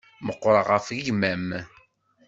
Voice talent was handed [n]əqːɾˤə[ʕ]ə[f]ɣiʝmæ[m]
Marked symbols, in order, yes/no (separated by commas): no, no, yes, yes